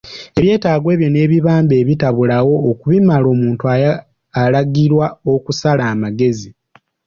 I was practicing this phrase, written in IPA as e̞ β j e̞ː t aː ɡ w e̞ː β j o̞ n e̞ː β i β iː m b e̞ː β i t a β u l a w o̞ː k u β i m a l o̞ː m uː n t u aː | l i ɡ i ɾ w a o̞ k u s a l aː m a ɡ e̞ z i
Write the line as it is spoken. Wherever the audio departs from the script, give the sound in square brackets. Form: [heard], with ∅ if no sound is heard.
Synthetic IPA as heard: e̞ β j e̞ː t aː ɡ w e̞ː β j o̞ n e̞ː β i β [aː] m b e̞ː β i t a β u l a w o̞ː k u β i m a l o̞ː m uː n t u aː | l [a] ɡ i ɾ w a o̞ k u s a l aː m a ɡ e̞ z i

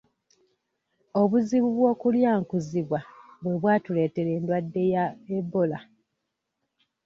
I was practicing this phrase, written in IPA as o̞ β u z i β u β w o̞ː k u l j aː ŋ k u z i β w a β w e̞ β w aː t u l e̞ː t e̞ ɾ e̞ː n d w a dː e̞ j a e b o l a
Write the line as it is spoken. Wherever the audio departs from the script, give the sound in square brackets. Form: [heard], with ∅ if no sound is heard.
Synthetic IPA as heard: o̞ β u z i β u β w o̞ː k u l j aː ŋ k u z i β w a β w e̞ β w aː t u l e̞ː t e̞ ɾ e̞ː n d w a dː e̞ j a e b o l a

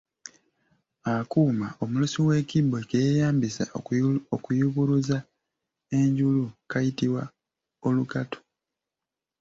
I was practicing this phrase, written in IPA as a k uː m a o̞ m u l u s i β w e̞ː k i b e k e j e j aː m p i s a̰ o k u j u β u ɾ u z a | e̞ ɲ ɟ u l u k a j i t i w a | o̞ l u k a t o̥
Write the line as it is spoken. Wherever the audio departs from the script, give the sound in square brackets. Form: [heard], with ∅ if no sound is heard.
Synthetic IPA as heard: a k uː m a o̞ m u l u s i [∅] w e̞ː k i b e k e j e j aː m [b] i s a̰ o k u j u β u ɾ u z a | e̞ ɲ ɟ u l u k a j i t i w a | o̞ l u k a t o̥

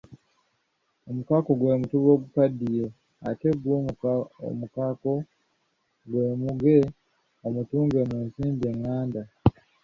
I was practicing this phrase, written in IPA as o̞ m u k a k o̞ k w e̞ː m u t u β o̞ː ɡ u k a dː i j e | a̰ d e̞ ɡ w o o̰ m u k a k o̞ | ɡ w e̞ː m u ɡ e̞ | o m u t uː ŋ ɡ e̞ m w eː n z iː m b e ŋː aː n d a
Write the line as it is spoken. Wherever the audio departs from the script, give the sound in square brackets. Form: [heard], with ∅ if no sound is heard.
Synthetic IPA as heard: o̞ m u k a k o̞ [ɡ] w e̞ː m u t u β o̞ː ɡ u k a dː i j e | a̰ [t] e̞ ɡ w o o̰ m u k a k o̞ | ɡ w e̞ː m u ɡ e̞ | o m u t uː ŋ ɡ e̞ m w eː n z iː m b e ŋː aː n d a

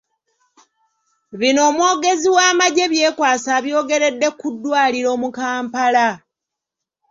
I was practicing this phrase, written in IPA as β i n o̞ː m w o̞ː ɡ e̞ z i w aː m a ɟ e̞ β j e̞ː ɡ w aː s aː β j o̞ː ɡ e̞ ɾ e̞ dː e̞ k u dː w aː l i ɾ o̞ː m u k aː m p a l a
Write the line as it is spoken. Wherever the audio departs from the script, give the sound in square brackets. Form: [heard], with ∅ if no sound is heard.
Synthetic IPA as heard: β i n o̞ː m w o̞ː ɡ e̞ z i w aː m a ɟ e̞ β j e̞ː [k] w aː s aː β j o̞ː ɡ e̞ ɾ e̞ dː e̞ k u dː w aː l i ɾ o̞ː m u k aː m p a l a

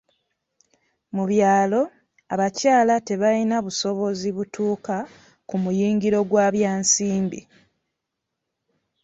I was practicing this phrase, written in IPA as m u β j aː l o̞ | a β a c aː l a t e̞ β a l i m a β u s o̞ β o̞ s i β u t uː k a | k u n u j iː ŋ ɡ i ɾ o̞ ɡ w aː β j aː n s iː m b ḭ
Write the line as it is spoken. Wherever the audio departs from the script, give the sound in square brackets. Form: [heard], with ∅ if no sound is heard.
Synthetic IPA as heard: m u β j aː l o̞ | a β a c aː l a t e̞ β a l i [n] a β u s o̞ β o̞ [z] i β u t uː k a | k u [m] u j iː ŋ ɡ i ɾ o̞ ɡ w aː β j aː n s iː m b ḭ

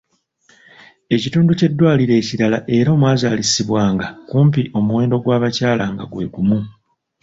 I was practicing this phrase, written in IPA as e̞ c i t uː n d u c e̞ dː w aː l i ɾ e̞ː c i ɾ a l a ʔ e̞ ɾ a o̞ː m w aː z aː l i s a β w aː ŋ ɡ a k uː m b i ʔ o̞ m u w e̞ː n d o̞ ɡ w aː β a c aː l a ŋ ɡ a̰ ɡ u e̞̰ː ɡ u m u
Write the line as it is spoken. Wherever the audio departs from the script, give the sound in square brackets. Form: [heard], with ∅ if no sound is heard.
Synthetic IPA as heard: e̞ c i t uː n d u c e̞ dː w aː l i ɾ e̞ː c i ɾ a l a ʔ e̞ ɾ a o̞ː m w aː z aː l i s [i] β w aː ŋ ɡ a k uː m [p] i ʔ o̞ m u w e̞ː n d o̞ ɡ w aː β a c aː l a ŋ ɡ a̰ ɡ [w] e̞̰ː ɡ u m u

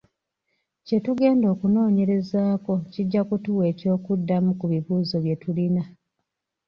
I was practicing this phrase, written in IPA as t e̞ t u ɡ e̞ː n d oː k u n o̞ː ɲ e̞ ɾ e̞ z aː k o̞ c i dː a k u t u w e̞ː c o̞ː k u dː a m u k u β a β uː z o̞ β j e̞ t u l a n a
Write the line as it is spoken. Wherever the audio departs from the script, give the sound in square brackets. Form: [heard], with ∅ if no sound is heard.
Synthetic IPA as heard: [c] e̞ t u ɡ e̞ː n d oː k u n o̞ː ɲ e̞ ɾ e̞ z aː k o̞ c i [ɟː] a k u t u w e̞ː c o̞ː k u dː a m u k u β [i] β uː z o̞ β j e̞ t u l [i] n a

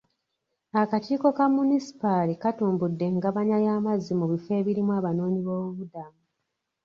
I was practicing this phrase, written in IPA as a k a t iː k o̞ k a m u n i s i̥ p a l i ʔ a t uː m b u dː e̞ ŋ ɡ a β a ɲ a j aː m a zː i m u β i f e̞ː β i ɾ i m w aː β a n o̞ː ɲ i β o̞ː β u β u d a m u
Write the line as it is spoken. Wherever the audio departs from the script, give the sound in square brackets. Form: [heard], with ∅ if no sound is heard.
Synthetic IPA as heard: a k a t iː k o̞ k a m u n i s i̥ p a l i [k] a t uː m b u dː e̞ ŋ ɡ a β a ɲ a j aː m a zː i m u β i f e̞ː β i ɾ i m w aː β a n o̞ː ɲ i β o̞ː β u β u d a m u

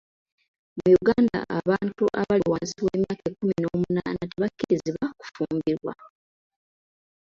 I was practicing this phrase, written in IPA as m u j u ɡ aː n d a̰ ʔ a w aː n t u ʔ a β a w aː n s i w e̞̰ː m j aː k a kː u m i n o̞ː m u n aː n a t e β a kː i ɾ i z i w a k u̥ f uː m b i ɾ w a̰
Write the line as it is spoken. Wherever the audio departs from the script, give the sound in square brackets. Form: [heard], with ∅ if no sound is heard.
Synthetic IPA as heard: m u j u ɡ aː n d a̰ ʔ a [β] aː n t u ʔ a β a w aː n s i w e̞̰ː m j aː k [e] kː u m i n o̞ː m u n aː n a t e β a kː i ɾ i z i [β] a k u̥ f uː m b i ɾ w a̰

